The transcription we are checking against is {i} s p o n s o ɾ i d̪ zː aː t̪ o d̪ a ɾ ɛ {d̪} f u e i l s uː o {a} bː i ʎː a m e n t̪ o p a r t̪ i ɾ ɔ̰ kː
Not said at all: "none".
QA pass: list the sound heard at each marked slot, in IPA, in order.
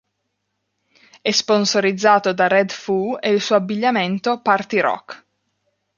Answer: ɛ, d̪, a

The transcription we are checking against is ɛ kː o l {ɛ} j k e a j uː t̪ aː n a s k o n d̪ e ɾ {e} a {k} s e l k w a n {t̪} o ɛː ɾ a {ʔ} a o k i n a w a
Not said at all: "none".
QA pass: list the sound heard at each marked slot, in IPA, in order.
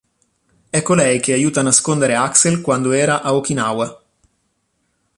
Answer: ɛ, e, k, d̪, ʔ

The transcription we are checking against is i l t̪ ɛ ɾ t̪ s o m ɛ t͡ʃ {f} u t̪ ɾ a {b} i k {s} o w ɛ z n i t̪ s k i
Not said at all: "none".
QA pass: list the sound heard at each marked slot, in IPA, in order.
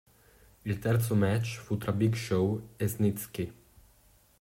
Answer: f, b, ʃ

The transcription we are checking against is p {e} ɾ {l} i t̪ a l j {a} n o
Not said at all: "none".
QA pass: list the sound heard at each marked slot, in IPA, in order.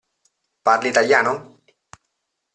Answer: a, l, a

